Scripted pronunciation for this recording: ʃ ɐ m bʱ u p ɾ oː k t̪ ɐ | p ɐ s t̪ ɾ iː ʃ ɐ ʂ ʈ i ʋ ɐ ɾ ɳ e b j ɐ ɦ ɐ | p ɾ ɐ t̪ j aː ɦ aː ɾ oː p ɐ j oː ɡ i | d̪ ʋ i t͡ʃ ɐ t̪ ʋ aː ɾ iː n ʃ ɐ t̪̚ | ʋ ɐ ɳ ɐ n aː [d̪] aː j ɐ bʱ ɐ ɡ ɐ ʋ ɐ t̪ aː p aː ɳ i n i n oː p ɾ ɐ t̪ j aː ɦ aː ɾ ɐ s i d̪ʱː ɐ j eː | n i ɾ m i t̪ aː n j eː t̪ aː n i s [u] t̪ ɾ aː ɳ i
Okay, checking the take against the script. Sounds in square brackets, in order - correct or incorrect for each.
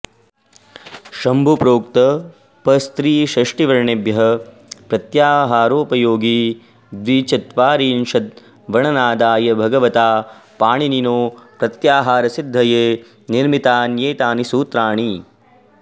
correct, incorrect: uː

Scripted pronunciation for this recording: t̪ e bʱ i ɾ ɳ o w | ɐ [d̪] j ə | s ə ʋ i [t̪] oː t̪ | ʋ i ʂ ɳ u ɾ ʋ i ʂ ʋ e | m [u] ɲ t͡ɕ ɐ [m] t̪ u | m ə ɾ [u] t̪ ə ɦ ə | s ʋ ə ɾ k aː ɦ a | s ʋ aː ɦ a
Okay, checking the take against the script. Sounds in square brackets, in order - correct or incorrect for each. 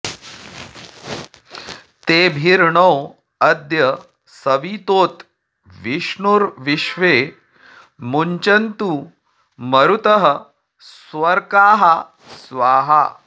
correct, correct, correct, incorrect: n, correct

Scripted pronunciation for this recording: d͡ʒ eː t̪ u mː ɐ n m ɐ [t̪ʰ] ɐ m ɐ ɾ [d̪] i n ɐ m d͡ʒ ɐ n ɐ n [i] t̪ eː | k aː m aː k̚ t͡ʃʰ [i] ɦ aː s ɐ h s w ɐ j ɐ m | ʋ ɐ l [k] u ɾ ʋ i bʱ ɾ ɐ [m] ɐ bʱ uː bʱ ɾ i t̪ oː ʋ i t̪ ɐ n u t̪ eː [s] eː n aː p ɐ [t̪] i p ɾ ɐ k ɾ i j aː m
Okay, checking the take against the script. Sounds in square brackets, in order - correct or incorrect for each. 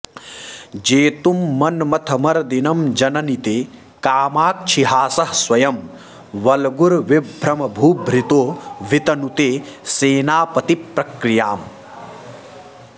correct, correct, correct, correct, incorrect: ɡ, correct, correct, correct

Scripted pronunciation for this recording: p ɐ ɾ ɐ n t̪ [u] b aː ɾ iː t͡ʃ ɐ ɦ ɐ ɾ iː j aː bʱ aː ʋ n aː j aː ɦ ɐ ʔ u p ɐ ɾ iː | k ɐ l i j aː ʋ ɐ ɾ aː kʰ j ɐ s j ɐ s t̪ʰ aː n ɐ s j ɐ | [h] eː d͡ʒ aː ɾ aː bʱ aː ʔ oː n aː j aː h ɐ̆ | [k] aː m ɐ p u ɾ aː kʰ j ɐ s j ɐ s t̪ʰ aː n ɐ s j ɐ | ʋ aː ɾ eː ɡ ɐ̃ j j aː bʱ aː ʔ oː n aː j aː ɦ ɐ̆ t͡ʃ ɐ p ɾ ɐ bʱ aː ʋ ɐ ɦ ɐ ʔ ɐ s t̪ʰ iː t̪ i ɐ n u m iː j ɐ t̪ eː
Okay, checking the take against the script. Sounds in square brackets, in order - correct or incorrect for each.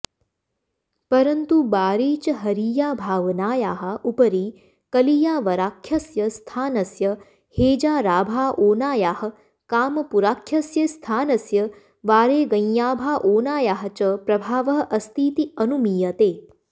correct, correct, correct

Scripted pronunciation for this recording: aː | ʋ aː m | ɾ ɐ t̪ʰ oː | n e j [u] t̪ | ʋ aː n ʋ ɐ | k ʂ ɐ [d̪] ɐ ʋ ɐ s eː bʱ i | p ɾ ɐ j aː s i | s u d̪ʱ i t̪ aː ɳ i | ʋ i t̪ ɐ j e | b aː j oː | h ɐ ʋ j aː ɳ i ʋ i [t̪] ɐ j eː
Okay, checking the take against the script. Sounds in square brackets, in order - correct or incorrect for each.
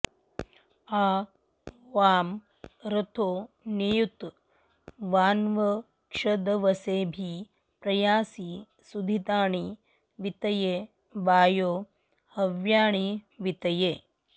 correct, correct, correct

